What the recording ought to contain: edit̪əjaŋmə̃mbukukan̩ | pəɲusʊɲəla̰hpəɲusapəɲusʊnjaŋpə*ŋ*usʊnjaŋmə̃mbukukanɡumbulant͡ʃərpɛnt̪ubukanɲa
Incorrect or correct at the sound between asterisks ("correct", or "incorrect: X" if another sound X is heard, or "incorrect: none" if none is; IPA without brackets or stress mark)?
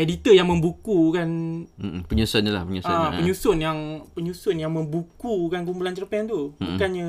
incorrect: ɲ